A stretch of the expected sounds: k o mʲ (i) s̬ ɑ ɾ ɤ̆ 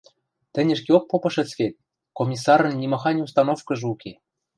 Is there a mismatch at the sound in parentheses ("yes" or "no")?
no